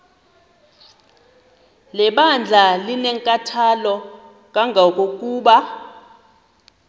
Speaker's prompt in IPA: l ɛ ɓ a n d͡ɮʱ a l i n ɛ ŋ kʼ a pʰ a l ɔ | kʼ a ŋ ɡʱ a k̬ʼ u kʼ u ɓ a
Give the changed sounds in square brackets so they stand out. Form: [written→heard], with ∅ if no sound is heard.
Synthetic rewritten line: l ɛ ɓ a n d͡ɮʱ a l i n ɛ ŋ kʼ a [pʰ→tʰ] a l ɔ | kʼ a ŋ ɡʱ a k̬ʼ [u→o] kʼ [u→uː] ɓ a

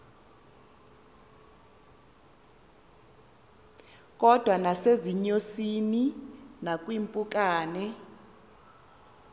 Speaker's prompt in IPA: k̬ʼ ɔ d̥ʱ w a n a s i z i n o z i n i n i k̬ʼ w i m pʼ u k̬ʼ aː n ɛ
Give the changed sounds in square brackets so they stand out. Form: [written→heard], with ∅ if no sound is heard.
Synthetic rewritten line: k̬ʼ ɔ d̥ʱ w a n a s [i→e] z i [n→ɲ] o [z→s] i n i n [i→a] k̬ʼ w i m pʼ u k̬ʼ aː n ɛ

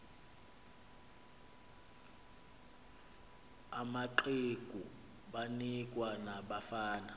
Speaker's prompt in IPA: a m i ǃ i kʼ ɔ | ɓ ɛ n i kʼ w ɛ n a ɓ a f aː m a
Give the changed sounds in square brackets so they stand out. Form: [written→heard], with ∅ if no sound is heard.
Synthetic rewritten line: a m [i→a] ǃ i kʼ [ɔ→u] | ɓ [ɛ→a] n i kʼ w [ɛ→a] n a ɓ a f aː [m→n] a

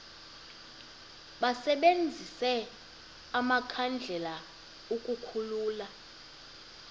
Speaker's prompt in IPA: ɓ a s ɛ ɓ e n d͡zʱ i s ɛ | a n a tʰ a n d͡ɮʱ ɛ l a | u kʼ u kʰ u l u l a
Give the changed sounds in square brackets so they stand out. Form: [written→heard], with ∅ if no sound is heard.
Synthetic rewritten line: ɓ a s ɛ ɓ e n d͡zʱ i s ɛ | a [n→m] a [tʰ→kʰ] a n d͡ɮʱ ɛ l a | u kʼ u kʰ u l [u→uː] l a

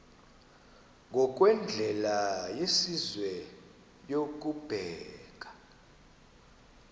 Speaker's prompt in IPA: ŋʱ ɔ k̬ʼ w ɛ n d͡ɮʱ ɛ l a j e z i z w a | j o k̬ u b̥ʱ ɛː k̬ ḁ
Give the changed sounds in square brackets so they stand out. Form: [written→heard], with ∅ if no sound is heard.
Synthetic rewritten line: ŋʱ ɔ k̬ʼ w ɛ n d͡ɮʱ ɛ l a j e [z→s] i z w [a→ɛ] | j o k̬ u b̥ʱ ɛː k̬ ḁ

